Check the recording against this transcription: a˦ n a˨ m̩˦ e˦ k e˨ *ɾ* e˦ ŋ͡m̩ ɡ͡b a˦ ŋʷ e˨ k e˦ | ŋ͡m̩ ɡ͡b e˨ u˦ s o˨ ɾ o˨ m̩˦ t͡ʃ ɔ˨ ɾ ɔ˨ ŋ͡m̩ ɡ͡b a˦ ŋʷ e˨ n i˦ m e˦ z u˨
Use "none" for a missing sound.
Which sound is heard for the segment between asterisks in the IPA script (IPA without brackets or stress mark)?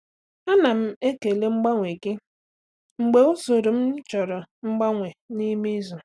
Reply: l